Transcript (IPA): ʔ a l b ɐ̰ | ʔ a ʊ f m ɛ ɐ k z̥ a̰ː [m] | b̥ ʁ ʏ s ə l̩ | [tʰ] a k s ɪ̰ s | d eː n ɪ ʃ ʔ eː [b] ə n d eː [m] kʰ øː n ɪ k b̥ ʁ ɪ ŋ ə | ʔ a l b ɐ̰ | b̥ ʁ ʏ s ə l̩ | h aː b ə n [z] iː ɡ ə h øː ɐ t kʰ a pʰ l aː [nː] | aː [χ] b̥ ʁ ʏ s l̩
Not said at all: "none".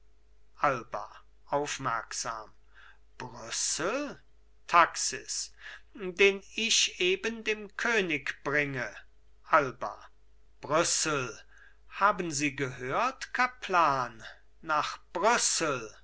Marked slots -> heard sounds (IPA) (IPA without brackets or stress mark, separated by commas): m, tʰ, b, m, z, nː, χ